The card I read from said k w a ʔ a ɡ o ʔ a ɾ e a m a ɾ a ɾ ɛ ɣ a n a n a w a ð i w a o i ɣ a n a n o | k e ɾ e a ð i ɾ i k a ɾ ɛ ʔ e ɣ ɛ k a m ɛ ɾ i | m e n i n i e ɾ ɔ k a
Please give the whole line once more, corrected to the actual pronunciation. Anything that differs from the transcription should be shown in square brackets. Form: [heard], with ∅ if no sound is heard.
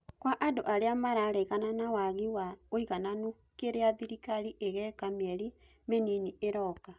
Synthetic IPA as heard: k w a ʔ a [d] o ʔ a ɾ e a m a ɾ a ɾ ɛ ɣ a n a n a w a [ɣ] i w a o i ɣ a n a n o | k e ɾ e a ð i ɾ i k a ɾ [i] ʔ e ɣ ɛ k a m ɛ ɾ i | m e n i n i e ɾ ɔ k a